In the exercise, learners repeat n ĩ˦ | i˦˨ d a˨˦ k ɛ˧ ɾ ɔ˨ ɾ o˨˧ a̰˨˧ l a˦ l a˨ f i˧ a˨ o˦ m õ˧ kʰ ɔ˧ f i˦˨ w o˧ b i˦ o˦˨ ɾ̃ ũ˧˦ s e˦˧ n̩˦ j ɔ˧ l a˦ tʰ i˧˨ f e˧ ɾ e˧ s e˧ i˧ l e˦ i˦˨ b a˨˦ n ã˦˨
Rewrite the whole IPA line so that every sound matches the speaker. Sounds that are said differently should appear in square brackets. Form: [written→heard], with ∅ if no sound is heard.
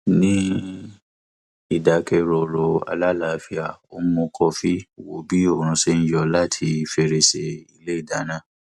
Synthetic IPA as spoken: n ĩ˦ | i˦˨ d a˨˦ k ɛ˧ ɾ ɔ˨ ɾ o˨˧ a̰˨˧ l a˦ l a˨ f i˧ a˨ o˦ m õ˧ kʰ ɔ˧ f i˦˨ w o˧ b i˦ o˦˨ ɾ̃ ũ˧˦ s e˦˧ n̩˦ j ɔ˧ l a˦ tʰ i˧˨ f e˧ ɾ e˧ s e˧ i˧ l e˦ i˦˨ [b→d] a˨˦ n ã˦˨